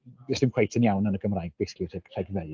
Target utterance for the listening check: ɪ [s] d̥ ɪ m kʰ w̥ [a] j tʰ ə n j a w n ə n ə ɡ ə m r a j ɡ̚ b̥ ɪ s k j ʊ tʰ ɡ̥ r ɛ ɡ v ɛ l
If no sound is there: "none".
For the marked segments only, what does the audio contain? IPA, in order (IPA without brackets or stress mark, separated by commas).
s, e